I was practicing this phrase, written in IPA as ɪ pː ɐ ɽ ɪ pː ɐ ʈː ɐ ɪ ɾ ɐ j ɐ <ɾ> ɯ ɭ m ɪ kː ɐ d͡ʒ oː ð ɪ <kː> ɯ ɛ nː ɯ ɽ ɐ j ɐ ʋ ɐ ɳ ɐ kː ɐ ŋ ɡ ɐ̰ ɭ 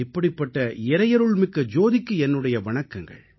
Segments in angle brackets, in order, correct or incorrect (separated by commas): correct, correct